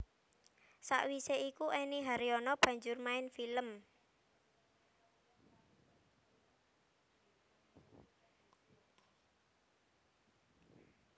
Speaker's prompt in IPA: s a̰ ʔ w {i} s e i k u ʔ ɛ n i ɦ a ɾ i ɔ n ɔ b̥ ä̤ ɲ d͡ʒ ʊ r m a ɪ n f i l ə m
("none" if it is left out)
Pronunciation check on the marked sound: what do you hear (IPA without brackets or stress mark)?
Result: i